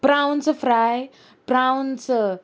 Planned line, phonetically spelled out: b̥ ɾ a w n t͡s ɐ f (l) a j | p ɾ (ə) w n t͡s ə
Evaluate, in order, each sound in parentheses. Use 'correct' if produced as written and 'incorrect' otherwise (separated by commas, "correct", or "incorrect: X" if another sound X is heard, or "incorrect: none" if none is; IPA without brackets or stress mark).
incorrect: ɾ, incorrect: a